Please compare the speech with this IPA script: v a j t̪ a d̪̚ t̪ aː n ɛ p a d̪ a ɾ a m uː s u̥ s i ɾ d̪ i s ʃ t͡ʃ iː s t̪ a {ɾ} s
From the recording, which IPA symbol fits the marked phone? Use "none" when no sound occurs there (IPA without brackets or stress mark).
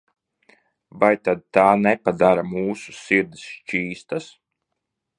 none